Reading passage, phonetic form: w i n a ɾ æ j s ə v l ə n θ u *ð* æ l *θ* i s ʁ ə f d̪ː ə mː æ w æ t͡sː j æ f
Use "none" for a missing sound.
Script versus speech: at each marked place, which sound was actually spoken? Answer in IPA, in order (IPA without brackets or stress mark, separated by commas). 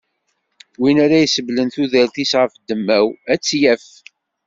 ð, θ